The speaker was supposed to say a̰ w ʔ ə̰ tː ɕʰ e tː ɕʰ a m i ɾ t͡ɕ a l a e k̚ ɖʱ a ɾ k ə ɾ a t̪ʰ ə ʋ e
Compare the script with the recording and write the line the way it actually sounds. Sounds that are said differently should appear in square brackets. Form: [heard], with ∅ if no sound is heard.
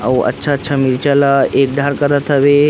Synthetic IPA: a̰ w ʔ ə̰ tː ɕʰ [a] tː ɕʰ a m i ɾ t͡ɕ a l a e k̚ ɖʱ a ɾ k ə ɾ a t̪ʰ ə ʋ e